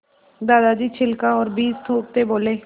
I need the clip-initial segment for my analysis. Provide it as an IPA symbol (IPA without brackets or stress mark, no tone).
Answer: d̪